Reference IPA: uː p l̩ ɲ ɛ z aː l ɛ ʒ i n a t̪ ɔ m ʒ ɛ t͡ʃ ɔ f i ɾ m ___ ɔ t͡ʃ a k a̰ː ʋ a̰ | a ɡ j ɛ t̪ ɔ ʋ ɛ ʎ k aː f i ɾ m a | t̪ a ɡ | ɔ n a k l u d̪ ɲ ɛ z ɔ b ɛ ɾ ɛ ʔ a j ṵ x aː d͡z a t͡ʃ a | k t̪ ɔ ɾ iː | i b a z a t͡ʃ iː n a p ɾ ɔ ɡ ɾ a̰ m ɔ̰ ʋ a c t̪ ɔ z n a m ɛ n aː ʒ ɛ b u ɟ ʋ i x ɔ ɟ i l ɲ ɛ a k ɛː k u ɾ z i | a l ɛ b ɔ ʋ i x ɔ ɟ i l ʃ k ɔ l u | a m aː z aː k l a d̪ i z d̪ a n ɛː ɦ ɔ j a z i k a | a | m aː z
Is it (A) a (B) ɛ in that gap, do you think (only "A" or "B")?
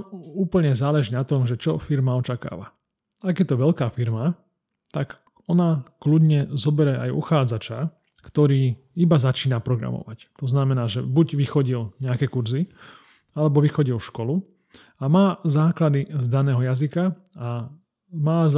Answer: A